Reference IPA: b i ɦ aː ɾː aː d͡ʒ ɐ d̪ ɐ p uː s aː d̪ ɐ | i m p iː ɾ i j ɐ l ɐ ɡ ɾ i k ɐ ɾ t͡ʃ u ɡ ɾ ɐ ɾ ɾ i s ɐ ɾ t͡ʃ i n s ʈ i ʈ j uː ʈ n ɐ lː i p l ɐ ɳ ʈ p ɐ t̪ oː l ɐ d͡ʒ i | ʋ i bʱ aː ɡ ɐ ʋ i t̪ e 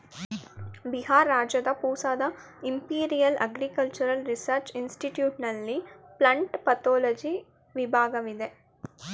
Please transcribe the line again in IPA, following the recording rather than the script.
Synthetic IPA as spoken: b i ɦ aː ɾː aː d͡ʒ ɐ d̪ ɐ p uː s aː d̪ ɐ | i m p iː ɾ i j ɐ l ɐ ɡ ɾ i k ɐ l t͡ʃ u ɾ ɐ l ɾ i s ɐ ɾ t͡ʃ i n s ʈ i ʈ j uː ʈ n ɐ lː i p l ɐ ɳ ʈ p ɐ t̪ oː l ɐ d͡ʒ i | ʋ i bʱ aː ɡ ɐ ʋ i d̪ e